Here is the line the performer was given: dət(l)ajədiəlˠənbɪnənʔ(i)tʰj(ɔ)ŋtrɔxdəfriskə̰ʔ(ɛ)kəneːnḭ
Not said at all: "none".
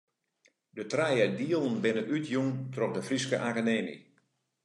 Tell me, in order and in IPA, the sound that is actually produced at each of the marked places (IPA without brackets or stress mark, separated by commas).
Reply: r, y, u, a